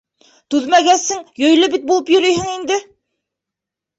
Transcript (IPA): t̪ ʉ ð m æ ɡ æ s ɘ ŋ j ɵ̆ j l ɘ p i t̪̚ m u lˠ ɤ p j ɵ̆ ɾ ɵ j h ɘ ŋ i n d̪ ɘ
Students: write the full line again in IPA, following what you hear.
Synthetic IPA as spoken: t̪ ʉ ð m æ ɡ æ s ɘ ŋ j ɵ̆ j l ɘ b i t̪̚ b u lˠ ɤ p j ɵ̆ ɾ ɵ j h ɘ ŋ i n d̪ ɘ